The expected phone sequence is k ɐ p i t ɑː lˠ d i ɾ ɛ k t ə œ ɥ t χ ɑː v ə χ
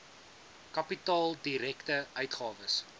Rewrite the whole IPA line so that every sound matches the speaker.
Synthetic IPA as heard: k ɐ p i t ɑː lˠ d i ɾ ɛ k t ə œ ɥ t χ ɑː v ə s